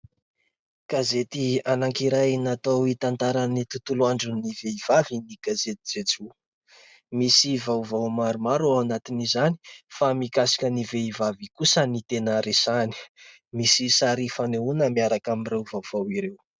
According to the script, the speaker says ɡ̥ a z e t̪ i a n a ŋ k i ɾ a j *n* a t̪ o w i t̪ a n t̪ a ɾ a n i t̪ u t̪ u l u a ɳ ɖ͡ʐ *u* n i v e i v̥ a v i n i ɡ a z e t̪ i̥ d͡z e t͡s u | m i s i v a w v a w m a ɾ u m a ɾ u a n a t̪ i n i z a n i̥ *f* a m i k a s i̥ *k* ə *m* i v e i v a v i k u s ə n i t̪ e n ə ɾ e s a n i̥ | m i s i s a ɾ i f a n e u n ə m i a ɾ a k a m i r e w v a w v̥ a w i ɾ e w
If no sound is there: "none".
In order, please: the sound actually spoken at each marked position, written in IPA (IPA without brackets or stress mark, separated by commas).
n, u, f, k, n